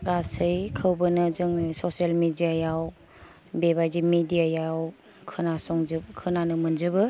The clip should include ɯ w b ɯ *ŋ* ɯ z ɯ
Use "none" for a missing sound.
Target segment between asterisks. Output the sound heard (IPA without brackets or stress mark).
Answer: n